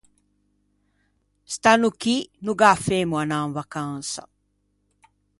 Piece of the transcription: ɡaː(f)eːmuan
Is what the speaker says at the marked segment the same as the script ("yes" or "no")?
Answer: yes